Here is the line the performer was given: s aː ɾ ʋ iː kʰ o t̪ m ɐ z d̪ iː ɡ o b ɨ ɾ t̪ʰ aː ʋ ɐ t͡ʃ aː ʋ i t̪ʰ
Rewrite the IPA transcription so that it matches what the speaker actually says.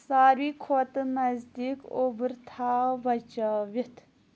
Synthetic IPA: s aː ɾ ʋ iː kʰ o t̪ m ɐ z d̪ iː k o b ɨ ɾ t̪ʰ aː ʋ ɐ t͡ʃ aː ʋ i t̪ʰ